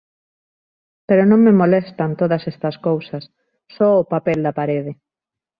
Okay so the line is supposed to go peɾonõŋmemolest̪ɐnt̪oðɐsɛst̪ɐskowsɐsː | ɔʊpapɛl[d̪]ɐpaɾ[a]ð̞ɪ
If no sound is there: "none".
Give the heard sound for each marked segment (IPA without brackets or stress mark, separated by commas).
d̪, e